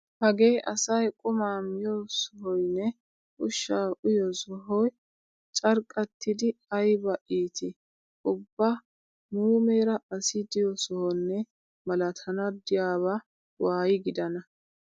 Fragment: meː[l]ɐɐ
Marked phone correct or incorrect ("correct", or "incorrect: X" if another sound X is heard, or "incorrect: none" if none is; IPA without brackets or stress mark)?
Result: incorrect: ɾ